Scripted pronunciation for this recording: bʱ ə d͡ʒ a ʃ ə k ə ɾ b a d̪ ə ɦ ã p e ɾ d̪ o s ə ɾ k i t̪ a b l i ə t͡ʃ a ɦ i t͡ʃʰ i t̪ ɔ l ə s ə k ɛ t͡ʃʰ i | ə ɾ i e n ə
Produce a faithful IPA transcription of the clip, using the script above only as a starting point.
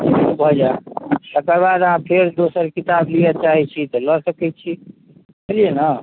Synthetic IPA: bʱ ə d͡ʒ a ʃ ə k ə ɾ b a d̪ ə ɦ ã pʰ e ɾ d̪ o s ə ɾ k i t̪ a b l i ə t͡ʃ a ɦ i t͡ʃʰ i t̪ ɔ l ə s ə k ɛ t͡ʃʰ i | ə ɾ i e n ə